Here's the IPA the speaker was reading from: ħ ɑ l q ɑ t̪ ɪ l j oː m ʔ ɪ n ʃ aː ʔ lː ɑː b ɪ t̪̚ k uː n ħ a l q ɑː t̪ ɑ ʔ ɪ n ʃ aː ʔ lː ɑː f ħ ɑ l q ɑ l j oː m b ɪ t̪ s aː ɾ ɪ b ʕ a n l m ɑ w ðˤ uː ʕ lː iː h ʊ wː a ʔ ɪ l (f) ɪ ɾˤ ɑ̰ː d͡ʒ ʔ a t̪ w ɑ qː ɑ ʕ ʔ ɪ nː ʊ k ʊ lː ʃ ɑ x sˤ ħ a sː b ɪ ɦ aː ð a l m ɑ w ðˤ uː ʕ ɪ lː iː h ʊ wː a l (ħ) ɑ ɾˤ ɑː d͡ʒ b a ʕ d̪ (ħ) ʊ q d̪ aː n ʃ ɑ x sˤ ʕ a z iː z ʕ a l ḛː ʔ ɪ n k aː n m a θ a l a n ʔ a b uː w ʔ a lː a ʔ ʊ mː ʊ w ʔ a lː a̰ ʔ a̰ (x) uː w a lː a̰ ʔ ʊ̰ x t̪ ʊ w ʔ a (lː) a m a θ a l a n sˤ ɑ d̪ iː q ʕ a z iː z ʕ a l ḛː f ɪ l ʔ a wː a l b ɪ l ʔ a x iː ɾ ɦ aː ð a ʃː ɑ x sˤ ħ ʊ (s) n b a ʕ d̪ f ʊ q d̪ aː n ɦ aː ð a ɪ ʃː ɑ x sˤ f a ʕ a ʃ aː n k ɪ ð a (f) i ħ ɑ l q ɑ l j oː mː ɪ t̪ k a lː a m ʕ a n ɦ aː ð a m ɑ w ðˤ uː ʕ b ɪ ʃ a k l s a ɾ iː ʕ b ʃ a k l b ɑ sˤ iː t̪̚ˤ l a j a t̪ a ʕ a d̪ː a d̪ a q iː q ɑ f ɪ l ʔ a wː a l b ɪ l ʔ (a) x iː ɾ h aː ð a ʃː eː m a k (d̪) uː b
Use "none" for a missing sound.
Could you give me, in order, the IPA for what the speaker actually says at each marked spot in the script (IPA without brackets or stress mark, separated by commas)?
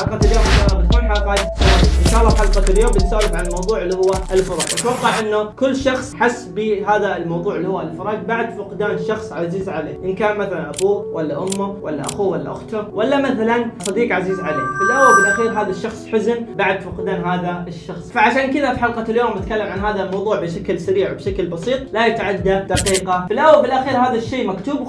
f, f, f, x, lː, z, f, a, t̪